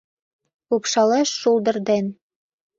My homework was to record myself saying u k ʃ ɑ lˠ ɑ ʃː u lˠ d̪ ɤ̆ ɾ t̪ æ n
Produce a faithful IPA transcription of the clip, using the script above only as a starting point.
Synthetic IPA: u p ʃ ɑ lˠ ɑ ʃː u lˠ d̪ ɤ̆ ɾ d̪ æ n